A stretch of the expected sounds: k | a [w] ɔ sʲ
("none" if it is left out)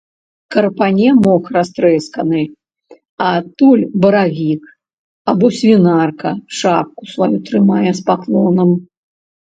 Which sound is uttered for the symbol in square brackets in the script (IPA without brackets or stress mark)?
b